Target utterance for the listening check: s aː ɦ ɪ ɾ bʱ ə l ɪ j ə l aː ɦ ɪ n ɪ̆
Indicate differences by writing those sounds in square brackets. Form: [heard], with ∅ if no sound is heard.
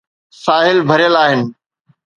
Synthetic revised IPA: s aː ɦ ɪ [l] bʱ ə [ɾ] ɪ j ə l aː ɦ ɪ n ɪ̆